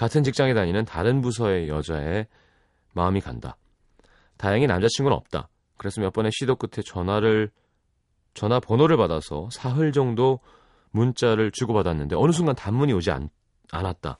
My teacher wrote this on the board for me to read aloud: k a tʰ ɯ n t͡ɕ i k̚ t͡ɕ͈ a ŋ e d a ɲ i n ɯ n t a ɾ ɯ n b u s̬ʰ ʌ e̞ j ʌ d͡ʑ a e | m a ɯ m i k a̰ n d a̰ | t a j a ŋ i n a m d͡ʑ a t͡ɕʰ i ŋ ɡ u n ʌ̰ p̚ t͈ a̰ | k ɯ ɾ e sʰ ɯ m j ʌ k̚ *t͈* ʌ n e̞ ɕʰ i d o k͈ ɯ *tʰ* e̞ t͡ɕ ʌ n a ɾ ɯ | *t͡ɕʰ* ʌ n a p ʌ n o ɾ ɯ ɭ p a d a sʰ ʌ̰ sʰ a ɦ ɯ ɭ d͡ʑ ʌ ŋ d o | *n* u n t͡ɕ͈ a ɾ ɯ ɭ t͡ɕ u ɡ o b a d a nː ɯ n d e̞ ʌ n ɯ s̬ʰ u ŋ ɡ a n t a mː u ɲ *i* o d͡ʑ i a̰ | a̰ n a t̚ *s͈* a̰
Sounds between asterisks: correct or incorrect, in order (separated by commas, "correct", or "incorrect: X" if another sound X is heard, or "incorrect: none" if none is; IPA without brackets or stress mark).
incorrect: p͈, correct, incorrect: t͡ɕ, incorrect: m, correct, incorrect: t͈